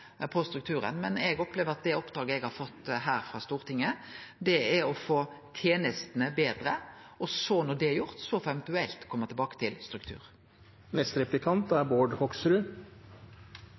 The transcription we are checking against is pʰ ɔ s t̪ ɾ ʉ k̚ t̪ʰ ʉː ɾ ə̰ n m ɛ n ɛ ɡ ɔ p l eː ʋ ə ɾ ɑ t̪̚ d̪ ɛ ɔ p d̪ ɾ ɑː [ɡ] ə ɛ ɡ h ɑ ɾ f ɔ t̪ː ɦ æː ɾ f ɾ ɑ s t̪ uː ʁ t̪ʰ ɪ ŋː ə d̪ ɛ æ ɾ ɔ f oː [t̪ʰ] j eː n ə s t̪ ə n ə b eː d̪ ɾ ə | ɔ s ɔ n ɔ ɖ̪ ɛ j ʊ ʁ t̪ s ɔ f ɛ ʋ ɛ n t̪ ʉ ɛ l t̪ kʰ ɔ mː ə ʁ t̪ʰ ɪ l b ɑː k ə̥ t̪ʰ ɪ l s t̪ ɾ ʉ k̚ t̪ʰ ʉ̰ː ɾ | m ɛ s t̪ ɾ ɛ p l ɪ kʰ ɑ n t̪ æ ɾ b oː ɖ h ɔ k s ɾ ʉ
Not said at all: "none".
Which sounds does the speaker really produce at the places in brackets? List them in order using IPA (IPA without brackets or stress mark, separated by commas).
ɡ, t̪ʰ